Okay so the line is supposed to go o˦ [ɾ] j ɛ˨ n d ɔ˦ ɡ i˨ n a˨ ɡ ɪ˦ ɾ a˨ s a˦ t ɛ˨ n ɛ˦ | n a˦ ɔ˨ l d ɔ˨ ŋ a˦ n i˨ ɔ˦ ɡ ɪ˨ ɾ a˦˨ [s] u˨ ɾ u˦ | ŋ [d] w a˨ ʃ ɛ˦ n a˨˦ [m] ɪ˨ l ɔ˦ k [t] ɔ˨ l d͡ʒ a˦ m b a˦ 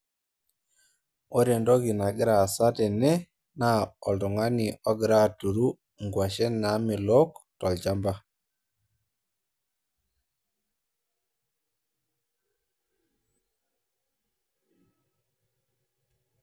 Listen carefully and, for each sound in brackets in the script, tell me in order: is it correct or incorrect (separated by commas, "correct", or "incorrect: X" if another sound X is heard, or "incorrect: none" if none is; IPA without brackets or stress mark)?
correct, incorrect: t, incorrect: ɡ, correct, correct